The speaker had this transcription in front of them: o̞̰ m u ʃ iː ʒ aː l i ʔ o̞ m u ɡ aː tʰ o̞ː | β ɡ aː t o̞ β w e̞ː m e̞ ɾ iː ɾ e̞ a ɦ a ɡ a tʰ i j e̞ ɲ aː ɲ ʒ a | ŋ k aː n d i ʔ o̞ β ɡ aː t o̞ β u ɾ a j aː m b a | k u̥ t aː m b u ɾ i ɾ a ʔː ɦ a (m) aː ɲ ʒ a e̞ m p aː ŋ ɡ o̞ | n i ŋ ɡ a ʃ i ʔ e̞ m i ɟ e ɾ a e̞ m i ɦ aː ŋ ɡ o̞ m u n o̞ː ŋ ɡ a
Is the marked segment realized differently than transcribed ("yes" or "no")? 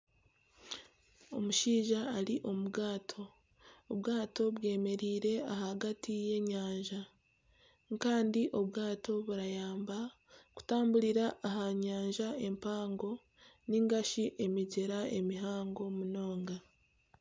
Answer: yes